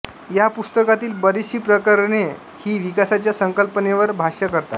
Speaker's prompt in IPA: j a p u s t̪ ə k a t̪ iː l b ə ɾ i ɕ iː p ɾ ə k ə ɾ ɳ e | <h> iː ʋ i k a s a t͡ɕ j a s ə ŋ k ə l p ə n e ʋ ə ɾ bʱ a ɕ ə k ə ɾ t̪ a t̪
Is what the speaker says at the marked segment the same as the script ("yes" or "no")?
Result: yes